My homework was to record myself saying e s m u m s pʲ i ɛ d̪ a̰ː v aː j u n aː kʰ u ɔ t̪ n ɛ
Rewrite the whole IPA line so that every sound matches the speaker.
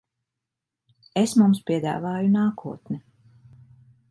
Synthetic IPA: e s m u m s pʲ i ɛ d̪ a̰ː v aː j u n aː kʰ u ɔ t̪ n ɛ